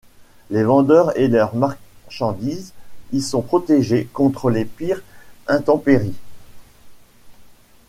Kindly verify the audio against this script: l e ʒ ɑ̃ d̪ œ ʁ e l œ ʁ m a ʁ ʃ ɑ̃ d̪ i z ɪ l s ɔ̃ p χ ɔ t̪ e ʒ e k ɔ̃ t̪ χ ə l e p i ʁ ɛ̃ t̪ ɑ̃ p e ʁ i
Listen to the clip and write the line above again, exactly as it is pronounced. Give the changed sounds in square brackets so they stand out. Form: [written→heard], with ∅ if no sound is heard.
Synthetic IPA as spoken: l e [ʒ→v] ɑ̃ d̪ œ ʁ e l œ ʁ m a ʁ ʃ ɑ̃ d̪ i z [ɪ→i] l s ɔ̃ p χ ɔ t̪ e ʒ e k ɔ̃ t̪ χ ə l e p i ʁ ɛ̃ t̪ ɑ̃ p e ʁ i